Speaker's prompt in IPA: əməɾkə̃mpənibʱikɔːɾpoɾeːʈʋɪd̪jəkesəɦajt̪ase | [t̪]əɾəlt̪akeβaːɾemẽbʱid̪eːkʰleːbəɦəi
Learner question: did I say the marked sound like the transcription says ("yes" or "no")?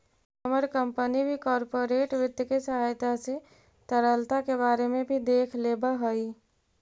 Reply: yes